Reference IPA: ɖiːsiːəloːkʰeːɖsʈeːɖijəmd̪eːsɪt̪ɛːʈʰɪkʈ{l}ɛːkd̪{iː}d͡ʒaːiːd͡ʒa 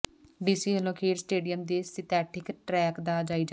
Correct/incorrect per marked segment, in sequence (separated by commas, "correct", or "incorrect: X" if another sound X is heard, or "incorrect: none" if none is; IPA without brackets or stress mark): incorrect: ɾ, incorrect: aː